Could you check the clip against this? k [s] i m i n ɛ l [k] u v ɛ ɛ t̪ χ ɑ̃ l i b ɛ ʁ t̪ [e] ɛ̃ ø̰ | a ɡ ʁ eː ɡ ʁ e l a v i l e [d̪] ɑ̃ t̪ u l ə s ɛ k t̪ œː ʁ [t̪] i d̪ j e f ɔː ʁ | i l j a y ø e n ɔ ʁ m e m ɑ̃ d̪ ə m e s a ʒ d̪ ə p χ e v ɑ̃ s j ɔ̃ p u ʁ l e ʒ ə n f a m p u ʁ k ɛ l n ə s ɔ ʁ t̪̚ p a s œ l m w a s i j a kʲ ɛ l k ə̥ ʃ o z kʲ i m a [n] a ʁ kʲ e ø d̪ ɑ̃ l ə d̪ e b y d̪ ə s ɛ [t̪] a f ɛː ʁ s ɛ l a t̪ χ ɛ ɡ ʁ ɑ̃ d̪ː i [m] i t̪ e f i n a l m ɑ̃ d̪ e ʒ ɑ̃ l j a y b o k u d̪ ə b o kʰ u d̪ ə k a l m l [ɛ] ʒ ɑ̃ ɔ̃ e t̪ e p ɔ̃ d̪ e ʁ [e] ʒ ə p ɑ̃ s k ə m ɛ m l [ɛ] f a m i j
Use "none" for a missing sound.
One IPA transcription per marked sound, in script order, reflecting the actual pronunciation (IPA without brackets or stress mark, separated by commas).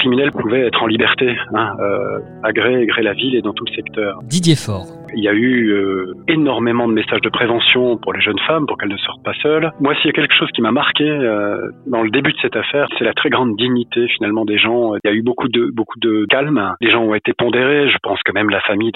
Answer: χ, p, e, d̪, d̪, m, t̪, ɲ, e, e, a